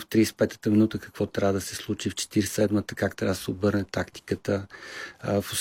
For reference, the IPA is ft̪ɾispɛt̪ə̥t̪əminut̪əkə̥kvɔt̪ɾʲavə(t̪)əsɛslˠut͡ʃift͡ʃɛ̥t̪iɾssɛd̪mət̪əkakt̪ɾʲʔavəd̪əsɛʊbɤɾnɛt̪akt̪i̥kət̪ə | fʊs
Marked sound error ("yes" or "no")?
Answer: yes